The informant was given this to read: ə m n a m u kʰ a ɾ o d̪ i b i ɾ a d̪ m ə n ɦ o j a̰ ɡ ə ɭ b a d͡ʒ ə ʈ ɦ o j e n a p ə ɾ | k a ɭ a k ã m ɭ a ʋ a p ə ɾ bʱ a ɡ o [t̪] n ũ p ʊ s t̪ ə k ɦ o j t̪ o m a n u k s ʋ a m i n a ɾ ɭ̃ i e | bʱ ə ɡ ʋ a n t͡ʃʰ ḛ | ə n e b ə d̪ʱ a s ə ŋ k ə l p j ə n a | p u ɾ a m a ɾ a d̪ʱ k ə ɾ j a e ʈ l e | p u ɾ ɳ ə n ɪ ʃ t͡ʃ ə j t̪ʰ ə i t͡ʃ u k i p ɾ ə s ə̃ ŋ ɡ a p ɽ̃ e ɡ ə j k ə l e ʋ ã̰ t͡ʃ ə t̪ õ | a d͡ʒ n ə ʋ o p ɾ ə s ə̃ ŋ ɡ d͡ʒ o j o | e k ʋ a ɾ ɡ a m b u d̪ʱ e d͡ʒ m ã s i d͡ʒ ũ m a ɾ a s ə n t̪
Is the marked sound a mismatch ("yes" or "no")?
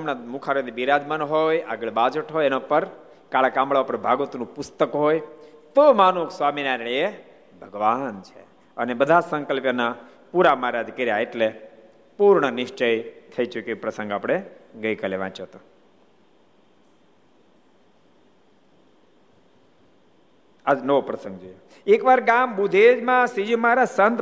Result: no